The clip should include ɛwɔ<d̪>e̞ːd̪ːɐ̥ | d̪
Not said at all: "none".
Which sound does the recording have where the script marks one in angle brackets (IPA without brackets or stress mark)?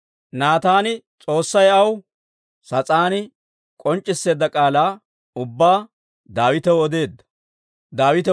d̪